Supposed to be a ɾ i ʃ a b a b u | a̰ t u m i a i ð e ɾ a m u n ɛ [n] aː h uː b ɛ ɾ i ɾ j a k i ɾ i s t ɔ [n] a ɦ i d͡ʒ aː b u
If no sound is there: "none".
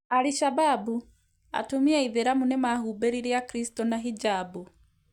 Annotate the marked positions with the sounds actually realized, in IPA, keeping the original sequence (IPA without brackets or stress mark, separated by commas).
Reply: m, n